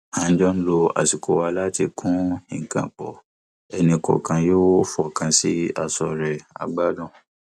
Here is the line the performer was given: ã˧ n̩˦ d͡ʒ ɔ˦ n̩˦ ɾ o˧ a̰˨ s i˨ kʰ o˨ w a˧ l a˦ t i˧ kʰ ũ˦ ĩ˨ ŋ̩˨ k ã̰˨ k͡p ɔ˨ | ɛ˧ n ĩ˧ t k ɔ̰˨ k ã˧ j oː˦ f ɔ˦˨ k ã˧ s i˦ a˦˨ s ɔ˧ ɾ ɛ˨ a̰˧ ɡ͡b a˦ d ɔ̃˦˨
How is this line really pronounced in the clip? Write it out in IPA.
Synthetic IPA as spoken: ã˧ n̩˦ d͡ʒ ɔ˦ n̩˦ l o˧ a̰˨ s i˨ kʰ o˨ w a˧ l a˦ t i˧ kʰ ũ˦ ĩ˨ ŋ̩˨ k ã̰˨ k͡p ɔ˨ | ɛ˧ n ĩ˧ k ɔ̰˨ k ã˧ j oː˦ f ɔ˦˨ k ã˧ s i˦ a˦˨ s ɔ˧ ɾ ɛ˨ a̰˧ ɡ͡b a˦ d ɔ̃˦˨